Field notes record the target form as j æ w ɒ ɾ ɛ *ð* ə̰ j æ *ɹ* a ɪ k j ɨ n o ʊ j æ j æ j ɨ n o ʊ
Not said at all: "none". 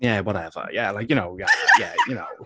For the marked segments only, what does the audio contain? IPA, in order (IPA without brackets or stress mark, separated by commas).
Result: v, l